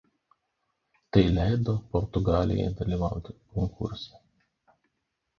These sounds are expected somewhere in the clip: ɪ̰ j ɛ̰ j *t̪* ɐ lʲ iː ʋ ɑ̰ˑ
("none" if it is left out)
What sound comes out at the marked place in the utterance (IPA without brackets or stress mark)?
d̪